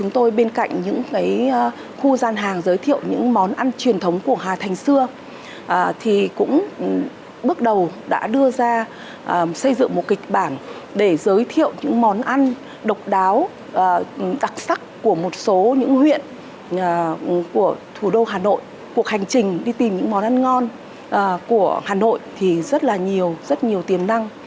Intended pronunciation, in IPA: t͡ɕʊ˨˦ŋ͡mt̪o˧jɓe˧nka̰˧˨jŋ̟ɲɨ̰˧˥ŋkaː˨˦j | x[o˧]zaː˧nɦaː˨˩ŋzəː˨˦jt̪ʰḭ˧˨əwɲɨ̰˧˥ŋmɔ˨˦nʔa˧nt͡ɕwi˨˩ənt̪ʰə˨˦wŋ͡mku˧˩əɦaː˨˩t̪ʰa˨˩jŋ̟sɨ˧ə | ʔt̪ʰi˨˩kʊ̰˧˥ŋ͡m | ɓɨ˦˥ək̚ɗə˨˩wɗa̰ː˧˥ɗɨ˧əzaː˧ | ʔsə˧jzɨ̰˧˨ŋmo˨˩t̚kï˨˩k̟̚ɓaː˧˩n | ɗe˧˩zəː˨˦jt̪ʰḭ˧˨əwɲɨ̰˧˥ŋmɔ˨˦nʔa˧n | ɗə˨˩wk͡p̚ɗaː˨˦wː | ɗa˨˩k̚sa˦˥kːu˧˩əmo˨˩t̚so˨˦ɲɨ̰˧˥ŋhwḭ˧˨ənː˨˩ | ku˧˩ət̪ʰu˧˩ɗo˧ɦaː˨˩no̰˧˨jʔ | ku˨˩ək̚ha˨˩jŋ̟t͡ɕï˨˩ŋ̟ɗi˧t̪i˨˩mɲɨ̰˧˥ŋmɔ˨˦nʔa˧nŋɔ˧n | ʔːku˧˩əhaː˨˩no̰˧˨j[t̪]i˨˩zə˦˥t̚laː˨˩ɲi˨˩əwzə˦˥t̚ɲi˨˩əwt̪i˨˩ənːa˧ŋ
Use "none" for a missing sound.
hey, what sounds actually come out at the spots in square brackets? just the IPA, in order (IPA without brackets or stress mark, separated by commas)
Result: u˧, t̪ʰ